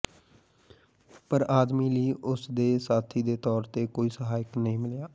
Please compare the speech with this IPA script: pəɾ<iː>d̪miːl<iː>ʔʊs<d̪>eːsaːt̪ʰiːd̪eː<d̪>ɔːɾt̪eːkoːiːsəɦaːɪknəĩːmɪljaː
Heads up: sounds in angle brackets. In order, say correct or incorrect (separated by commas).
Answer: incorrect, correct, correct, incorrect